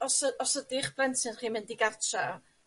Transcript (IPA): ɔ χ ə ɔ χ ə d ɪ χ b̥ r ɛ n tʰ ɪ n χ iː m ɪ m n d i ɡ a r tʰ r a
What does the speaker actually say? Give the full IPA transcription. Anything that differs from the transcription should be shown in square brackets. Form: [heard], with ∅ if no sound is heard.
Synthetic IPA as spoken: ɔ [s] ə ɔ [s] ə d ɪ χ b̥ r ɛ n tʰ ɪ n χ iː m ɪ [∅] n d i ɡ a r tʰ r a